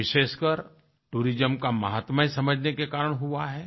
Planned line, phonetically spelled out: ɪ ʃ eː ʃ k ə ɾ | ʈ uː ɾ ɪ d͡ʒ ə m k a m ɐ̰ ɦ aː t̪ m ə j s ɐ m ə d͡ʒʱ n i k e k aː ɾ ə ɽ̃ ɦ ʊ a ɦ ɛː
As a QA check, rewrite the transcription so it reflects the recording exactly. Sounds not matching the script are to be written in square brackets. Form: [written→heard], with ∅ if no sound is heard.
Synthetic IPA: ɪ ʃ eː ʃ k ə ɾ | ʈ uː ɾ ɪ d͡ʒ ə m k a m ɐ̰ ɦ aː t̪ m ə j s ɐ m ə d͡ʒʱ n [i→e] k e k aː ɾ ə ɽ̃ ɦ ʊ a ɦ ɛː

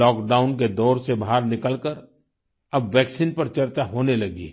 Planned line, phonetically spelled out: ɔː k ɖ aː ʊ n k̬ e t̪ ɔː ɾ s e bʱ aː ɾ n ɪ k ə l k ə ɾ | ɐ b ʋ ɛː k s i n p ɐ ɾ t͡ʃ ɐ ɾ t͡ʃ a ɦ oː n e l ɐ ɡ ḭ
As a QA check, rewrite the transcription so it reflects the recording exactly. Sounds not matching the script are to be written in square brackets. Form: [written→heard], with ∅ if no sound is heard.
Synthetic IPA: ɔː k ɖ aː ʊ n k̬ e [t̪→d̪] ɔː ɾ s e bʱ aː ɾ n ɪ k ə l k ə ɾ | ɐ b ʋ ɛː k s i n p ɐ ɾ t͡ʃ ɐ ɾ t͡ʃ a ɦ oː n e l ɐ ɡ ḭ

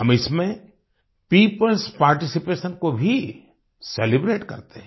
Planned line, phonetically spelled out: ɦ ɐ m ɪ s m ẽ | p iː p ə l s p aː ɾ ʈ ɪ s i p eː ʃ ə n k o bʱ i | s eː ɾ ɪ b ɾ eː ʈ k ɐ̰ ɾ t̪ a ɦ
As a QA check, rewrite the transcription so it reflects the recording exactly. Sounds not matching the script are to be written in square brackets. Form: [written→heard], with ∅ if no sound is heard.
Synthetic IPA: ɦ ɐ m ɪ s m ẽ | p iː p ə l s p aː ɾ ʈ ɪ s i p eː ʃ ə n k o bʱ i | s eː [ɾ→l] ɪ b ɾ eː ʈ k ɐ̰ ɾ t̪ [a→e] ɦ

